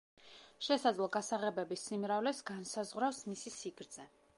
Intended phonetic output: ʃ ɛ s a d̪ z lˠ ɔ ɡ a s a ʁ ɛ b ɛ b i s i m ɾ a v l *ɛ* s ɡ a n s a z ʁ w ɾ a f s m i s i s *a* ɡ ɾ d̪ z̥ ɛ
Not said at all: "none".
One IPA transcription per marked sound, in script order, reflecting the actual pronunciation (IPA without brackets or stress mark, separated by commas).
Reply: ɛ, i